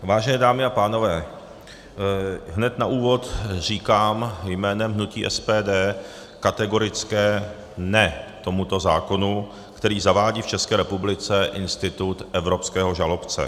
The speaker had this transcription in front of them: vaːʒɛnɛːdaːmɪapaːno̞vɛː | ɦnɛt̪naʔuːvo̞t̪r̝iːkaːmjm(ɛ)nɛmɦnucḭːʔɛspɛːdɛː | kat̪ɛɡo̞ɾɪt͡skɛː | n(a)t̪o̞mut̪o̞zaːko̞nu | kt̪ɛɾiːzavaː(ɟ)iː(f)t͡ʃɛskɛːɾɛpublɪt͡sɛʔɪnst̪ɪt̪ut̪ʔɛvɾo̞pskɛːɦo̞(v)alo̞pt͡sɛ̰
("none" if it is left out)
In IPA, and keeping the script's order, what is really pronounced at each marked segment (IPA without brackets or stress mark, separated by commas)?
ɛː, ɛ, ɟ, f, ʒ